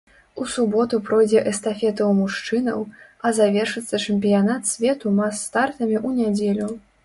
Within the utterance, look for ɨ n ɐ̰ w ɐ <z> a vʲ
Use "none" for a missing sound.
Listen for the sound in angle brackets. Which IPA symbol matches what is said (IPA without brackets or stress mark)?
z